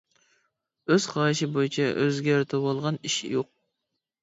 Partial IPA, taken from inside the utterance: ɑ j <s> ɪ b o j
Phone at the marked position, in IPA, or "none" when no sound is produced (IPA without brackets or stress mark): ʃ